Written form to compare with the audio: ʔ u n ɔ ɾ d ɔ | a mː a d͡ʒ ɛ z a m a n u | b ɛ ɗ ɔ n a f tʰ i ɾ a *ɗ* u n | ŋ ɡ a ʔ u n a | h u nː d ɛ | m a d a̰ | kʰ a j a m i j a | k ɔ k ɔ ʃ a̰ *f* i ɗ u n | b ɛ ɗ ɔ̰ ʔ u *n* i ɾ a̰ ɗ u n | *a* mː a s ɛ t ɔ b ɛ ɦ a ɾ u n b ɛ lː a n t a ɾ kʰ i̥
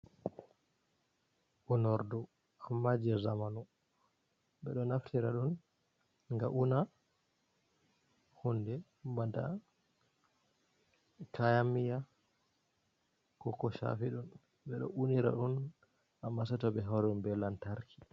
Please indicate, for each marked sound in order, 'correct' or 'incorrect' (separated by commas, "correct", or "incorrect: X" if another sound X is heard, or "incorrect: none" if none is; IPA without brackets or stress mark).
correct, correct, correct, correct